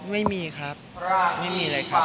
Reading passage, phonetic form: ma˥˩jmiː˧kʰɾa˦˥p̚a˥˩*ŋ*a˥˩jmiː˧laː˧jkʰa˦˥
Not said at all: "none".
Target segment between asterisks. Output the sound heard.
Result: m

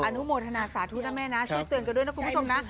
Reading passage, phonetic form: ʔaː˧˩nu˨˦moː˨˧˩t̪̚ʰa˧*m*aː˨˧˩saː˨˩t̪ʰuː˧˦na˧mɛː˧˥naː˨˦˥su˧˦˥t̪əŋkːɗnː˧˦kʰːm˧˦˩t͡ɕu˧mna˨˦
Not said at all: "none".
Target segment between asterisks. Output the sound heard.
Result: n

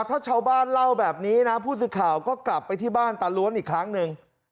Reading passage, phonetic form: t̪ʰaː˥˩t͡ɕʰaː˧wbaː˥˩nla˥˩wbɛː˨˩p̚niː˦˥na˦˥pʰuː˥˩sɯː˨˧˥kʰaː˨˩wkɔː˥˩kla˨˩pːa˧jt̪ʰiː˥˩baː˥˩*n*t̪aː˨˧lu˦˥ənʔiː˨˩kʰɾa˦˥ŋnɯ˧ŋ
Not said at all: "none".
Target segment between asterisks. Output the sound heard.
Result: n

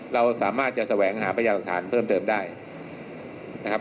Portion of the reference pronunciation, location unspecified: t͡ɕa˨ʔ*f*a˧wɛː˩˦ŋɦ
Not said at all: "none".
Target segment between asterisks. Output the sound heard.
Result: s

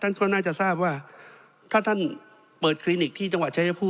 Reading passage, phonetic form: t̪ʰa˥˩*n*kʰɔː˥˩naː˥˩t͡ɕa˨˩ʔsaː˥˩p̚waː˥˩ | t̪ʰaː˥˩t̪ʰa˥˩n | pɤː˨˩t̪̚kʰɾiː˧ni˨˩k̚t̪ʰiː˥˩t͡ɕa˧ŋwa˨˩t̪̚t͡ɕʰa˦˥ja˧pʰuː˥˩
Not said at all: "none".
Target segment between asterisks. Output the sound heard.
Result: n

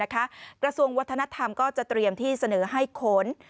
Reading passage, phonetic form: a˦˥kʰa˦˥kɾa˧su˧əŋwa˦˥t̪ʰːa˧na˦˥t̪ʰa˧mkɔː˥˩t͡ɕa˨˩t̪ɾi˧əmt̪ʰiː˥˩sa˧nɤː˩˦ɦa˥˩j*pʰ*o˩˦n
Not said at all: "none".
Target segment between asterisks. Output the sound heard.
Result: kʰ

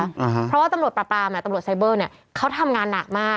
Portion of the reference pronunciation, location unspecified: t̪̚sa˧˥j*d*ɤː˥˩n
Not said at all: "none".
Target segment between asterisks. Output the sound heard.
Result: b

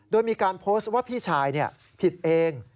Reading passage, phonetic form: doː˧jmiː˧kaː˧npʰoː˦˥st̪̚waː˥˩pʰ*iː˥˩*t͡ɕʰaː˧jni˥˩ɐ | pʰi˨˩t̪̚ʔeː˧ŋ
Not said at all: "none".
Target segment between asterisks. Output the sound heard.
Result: iː˥˩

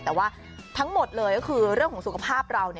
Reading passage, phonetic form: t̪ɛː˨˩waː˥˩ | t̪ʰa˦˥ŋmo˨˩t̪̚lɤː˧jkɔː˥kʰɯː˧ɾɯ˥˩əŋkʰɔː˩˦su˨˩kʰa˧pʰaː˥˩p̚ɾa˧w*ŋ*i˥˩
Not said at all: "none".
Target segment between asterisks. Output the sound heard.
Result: n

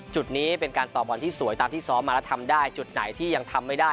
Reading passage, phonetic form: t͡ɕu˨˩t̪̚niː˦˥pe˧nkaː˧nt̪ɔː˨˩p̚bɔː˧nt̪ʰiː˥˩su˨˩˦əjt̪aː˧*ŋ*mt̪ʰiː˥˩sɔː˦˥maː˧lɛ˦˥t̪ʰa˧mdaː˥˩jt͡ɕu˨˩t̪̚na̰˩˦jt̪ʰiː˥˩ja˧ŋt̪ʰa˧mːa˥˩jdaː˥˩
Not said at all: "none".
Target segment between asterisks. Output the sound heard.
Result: none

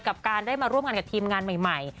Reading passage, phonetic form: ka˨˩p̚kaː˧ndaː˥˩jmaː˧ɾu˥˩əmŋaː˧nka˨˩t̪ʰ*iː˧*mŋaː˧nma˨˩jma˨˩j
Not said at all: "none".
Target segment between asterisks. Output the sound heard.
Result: iː˧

